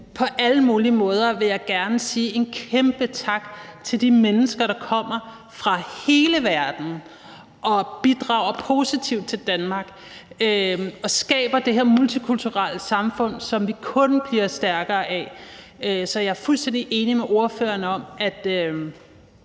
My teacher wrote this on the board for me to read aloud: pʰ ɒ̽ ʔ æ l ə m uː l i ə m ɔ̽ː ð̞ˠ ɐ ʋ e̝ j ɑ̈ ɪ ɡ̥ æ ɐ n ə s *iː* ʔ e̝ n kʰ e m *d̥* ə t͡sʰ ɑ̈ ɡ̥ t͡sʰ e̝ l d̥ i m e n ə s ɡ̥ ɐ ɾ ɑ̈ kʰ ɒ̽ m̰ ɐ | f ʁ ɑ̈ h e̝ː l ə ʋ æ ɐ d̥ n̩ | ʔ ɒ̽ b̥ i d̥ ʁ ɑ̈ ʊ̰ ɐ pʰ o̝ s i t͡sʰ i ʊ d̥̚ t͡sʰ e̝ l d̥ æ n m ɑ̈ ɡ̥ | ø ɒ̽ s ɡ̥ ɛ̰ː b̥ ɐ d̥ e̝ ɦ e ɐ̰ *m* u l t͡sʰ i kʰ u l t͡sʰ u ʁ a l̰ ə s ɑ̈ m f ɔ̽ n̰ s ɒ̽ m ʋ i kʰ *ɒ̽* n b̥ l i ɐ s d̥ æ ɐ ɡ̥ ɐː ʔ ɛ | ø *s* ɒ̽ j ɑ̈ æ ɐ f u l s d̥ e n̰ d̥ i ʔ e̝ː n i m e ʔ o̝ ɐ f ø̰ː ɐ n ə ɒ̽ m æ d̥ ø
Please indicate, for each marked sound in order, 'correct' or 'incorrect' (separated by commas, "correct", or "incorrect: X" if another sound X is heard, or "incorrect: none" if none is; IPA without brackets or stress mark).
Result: correct, incorrect: b̥, correct, incorrect: ɔ̽, correct